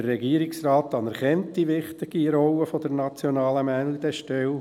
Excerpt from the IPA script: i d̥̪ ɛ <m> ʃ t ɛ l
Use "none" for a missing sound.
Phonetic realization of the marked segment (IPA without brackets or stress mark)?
none